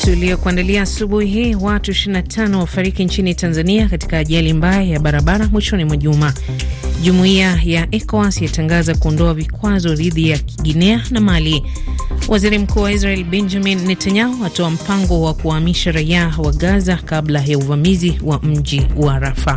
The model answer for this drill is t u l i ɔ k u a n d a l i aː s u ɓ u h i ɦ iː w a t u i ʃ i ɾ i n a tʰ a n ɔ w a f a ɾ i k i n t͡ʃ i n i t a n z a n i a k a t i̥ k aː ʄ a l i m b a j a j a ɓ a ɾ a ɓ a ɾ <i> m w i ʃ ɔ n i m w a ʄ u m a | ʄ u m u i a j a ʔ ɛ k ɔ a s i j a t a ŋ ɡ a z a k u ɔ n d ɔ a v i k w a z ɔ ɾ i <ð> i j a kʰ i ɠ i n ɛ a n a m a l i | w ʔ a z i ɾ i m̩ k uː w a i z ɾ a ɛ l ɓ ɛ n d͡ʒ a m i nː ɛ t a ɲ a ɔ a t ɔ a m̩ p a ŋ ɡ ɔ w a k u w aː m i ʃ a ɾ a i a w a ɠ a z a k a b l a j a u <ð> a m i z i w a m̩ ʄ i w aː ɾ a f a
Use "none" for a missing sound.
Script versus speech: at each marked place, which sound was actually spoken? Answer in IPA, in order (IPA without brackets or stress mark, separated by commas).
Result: a, ð, v